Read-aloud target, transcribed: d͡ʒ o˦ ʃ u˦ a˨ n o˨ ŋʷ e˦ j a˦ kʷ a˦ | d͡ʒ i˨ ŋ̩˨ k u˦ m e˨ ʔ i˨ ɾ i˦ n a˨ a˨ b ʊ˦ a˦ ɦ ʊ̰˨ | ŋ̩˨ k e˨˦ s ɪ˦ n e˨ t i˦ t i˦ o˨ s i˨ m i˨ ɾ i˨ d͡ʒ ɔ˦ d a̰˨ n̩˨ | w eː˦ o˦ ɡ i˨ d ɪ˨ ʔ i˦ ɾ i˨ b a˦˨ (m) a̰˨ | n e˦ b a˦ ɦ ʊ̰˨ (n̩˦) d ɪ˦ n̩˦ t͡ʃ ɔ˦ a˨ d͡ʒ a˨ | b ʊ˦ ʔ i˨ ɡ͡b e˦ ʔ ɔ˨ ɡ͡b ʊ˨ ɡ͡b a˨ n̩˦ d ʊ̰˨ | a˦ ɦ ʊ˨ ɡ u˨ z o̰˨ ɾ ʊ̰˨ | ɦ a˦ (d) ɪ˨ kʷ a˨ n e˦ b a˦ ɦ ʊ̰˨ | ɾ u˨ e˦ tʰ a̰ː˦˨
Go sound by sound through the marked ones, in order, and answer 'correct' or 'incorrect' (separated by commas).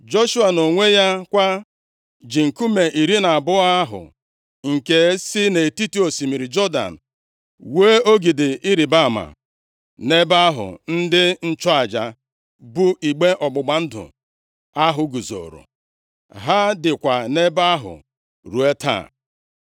correct, correct, correct